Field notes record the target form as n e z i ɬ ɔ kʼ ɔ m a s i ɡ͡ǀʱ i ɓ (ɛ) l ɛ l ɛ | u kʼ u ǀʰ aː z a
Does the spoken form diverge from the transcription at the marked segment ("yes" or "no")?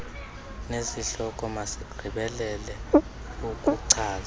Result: no